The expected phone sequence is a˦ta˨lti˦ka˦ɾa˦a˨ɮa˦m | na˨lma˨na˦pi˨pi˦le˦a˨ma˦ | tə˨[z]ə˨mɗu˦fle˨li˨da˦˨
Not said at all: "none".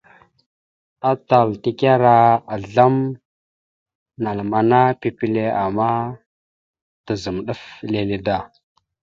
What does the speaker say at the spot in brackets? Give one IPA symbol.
z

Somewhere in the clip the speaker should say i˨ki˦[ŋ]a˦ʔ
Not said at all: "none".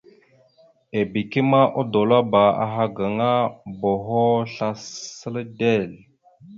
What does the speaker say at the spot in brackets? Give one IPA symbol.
m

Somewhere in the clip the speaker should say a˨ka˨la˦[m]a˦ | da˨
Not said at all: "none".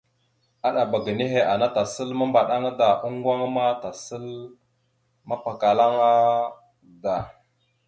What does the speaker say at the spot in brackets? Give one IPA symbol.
ŋ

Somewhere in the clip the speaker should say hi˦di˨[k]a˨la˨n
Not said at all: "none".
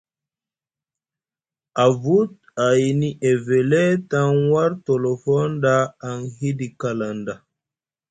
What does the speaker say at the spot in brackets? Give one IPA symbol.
k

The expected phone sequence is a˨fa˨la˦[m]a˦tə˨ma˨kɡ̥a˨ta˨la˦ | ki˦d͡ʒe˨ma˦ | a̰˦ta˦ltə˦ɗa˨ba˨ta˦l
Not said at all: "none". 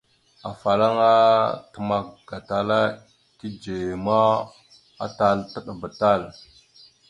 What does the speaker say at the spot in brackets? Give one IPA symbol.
ŋ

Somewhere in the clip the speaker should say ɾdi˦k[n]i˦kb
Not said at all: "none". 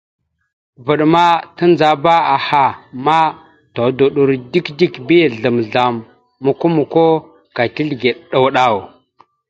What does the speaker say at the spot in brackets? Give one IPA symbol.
d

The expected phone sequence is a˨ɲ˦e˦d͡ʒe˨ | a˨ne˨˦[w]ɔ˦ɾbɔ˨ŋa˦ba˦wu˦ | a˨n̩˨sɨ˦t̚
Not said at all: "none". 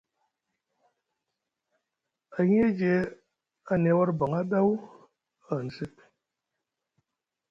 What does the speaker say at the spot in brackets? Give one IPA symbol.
w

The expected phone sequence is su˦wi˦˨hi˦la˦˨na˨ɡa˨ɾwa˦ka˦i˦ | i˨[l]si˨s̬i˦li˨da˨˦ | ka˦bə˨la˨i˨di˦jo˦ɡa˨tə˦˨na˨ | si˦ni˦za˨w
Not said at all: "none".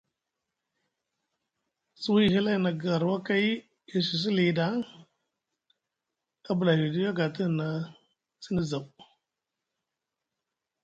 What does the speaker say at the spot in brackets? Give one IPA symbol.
none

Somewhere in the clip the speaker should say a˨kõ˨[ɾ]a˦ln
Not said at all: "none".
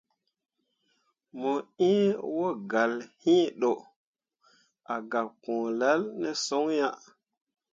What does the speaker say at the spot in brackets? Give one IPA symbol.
l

